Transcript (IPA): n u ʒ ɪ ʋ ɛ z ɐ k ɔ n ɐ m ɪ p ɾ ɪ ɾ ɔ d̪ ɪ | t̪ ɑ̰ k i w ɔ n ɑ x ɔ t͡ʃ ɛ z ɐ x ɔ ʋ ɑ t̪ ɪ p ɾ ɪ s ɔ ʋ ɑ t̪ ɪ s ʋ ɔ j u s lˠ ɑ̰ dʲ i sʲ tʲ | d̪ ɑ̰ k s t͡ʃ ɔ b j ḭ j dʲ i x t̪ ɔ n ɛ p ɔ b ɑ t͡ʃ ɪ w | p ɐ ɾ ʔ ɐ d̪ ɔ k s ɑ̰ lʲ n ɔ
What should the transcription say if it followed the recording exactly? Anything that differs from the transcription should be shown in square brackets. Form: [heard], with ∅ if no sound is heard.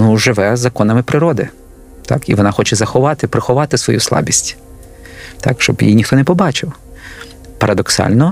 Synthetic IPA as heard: n u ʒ ɪ ʋ ɛ z ɐ k ɔ n ɐ m ɪ p ɾ ɪ ɾ ɔ d̪ ɪ | t̪ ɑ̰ k i [ʋ] ɔ n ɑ x ɔ t͡ʃ ɛ z ɐ x ɔ ʋ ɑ t̪ ɪ p ɾ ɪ [x] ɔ ʋ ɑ t̪ ɪ s ʋ ɔ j u s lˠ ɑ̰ [bʲ] i sʲ tʲ | [t̪] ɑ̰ k [ʃ] t͡ʃ ɔ b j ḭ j [nʲ] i x t̪ ɔ n ɛ p ɔ b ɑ t͡ʃ ɪ w | p ɐ ɾ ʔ ɐ d̪ ɔ k s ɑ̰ lʲ n ɔ